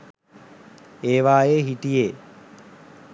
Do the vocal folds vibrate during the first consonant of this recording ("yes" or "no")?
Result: yes